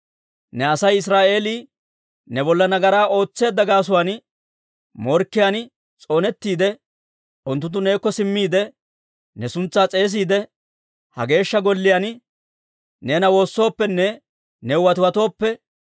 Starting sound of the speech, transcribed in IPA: n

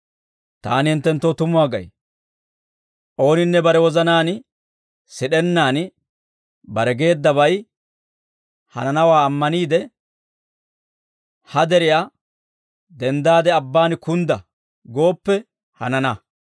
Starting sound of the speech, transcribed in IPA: t̪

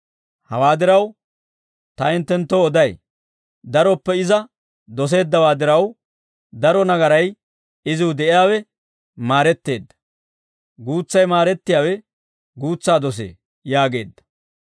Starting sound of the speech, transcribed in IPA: h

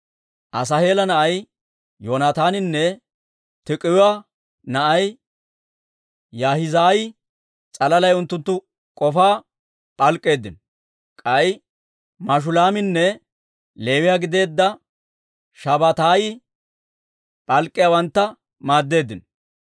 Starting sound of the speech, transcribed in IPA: ʔ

